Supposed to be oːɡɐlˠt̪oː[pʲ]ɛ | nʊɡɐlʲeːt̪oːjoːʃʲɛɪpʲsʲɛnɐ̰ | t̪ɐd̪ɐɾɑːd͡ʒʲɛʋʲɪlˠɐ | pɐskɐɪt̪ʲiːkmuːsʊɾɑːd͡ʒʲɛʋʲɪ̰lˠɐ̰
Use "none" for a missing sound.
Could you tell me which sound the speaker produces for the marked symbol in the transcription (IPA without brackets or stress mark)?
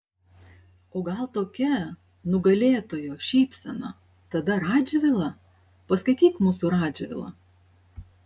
kʲ